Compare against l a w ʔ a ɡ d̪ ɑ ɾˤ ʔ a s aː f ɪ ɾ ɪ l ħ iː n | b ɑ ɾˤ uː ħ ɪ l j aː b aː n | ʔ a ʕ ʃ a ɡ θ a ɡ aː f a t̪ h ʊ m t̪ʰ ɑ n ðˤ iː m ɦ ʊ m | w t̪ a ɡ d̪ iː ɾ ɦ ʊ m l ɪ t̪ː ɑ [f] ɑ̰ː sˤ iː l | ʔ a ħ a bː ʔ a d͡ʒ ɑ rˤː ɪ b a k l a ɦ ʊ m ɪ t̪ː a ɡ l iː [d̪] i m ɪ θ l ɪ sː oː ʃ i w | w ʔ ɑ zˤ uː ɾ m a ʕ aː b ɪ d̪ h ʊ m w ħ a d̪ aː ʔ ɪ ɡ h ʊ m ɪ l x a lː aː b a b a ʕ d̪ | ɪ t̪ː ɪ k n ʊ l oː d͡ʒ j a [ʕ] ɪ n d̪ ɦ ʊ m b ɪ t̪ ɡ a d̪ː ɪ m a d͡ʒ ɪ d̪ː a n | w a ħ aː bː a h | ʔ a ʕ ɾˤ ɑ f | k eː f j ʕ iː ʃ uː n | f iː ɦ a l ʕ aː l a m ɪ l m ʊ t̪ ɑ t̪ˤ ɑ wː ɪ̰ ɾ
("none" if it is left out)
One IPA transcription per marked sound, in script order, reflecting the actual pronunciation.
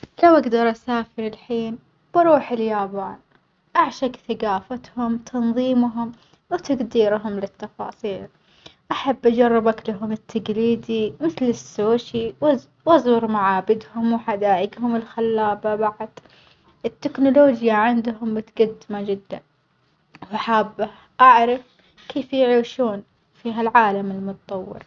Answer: f, d̪, ʕ

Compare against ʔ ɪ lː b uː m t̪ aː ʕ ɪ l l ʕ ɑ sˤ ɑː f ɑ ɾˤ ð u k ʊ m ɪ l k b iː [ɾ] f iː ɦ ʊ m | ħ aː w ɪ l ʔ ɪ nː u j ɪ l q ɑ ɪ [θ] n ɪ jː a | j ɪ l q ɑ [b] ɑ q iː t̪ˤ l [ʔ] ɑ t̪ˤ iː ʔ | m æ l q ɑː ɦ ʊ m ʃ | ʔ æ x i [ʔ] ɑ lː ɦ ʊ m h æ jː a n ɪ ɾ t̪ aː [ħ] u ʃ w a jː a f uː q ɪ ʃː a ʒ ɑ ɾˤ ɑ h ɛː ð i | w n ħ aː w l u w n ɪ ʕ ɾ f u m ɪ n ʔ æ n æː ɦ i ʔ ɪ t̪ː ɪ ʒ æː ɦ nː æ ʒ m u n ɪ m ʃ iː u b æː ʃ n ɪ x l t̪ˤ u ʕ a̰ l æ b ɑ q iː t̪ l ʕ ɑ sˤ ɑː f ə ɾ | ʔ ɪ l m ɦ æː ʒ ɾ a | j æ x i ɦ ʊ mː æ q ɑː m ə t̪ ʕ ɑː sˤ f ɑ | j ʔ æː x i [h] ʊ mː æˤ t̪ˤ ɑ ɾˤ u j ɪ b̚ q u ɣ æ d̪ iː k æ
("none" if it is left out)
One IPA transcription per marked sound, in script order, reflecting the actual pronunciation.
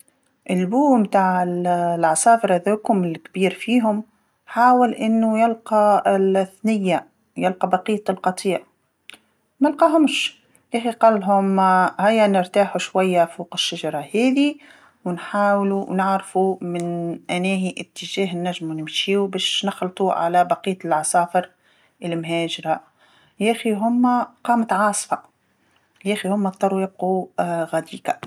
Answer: ɾ, θ, b, q, q, ħ, h

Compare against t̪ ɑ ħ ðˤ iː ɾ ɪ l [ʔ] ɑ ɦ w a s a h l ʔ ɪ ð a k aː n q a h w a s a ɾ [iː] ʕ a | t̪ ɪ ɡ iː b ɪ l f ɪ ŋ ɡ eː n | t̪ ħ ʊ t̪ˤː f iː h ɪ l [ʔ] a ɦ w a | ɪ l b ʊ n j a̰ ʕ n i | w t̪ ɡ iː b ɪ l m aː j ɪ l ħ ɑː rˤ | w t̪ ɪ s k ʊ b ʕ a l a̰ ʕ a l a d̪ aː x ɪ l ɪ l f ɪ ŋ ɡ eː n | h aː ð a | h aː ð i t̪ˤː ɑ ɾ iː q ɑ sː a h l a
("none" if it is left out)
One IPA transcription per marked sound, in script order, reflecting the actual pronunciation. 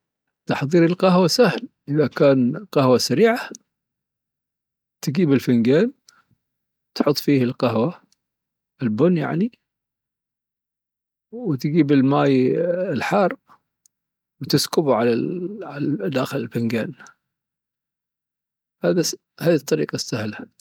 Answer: q, iː, q

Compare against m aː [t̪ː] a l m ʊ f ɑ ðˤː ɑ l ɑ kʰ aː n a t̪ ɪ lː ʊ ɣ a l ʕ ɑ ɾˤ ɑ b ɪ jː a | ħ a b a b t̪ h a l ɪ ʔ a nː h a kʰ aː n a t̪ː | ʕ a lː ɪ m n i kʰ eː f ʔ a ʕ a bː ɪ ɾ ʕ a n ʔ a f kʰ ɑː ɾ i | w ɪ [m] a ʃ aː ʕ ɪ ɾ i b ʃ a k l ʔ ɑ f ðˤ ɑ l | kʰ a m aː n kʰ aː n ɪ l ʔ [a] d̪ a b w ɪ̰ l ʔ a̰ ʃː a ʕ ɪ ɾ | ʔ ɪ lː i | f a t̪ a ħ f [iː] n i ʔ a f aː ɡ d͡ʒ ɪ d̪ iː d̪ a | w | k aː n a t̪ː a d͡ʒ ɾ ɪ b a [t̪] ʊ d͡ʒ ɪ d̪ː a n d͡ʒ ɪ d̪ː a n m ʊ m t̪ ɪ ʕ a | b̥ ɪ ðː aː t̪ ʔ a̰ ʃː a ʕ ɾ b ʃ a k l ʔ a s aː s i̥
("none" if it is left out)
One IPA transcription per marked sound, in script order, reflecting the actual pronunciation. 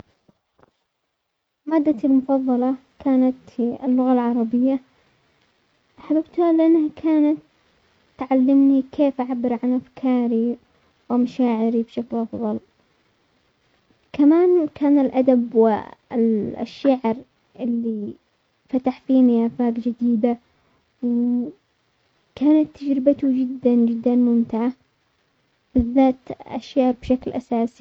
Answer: d̪ː, m, a, iː, t̪

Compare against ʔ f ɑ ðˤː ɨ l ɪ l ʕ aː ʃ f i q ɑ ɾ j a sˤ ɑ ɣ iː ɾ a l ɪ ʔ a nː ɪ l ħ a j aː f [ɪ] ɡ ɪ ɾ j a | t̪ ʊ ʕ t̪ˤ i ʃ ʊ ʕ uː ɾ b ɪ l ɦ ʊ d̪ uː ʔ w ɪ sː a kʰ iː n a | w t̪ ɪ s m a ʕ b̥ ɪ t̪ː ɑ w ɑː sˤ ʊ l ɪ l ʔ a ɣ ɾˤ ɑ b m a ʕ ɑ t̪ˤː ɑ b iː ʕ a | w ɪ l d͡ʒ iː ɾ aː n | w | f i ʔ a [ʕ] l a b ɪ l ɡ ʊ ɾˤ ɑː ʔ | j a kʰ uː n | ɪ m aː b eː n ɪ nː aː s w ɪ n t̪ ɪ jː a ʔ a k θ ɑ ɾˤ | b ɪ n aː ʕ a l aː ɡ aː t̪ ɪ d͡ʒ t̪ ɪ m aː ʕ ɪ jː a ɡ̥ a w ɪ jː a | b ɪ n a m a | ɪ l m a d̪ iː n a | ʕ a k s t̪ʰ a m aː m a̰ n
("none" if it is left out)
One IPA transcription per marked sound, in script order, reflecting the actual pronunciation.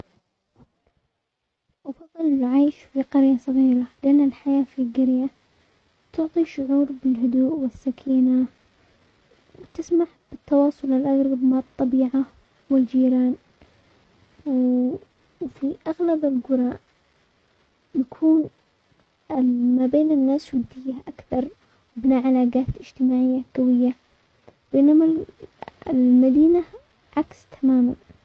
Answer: i, ɣ

